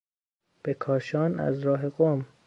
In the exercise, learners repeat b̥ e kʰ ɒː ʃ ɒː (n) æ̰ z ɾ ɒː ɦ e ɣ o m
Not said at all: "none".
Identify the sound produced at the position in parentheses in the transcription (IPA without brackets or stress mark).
n